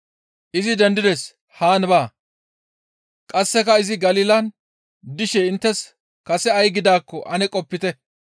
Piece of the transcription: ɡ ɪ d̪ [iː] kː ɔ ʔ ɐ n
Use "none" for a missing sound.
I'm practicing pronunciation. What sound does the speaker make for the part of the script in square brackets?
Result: aː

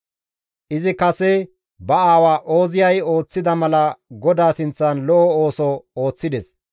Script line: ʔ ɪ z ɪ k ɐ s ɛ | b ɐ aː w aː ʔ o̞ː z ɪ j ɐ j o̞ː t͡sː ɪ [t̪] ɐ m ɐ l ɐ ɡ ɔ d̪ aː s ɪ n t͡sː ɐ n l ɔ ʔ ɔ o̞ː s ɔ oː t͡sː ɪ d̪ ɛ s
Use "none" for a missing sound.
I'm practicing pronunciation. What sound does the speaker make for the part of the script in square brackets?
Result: d̪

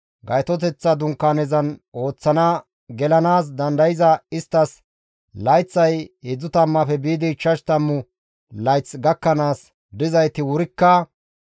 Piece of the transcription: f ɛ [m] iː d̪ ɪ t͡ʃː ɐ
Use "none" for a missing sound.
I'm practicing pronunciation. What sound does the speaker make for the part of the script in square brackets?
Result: b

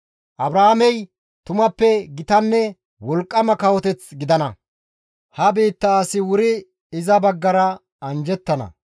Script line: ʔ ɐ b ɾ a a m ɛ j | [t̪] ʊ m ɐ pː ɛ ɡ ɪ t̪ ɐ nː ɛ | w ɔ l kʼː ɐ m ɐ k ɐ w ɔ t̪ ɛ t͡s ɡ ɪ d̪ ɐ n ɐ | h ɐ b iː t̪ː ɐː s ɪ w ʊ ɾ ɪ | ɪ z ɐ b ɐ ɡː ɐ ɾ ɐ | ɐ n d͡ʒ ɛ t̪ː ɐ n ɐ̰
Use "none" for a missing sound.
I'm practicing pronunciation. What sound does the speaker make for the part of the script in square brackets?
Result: t̪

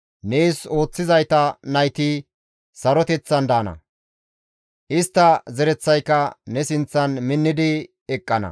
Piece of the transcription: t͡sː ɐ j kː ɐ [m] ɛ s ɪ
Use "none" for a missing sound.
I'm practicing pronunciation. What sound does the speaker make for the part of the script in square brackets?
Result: n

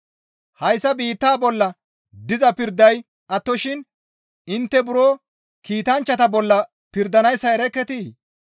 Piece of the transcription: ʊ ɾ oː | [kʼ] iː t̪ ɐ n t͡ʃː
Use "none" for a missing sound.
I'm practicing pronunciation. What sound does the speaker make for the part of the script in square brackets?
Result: k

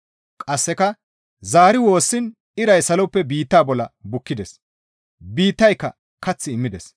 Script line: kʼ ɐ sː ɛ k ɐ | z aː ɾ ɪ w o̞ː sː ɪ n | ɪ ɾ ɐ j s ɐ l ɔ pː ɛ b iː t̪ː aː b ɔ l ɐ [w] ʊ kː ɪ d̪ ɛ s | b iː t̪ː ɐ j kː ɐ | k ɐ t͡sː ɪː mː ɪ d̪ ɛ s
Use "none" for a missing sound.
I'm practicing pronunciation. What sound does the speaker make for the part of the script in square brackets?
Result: b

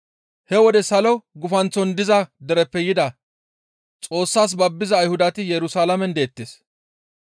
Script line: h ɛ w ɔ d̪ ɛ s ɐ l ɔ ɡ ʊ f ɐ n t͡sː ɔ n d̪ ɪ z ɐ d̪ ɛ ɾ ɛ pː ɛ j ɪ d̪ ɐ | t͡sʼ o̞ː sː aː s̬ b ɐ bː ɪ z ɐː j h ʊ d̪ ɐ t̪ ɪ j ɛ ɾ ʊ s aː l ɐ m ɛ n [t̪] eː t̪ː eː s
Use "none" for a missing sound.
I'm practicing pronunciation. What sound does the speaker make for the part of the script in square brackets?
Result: d̪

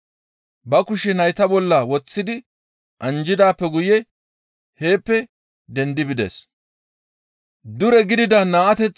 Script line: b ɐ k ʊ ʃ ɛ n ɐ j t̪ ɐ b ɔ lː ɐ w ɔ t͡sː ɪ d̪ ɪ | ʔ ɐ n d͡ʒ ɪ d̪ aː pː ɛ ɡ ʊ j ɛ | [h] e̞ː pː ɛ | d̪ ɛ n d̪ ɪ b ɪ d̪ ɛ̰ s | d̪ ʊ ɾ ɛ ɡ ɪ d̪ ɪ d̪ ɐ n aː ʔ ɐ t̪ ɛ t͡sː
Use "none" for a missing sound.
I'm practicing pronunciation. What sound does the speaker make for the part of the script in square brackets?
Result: h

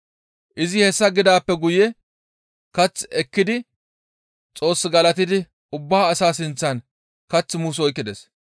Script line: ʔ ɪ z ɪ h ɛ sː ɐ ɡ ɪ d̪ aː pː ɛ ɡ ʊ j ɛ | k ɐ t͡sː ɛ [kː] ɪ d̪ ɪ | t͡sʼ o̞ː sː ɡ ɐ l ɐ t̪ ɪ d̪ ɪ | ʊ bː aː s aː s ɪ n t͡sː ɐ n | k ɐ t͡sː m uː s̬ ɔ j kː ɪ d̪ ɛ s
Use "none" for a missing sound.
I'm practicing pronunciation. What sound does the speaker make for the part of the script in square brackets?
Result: kː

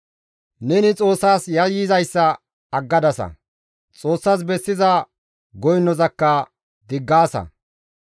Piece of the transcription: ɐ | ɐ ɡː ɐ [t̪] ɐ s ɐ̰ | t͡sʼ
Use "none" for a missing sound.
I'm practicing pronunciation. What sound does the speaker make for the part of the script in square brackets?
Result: d̪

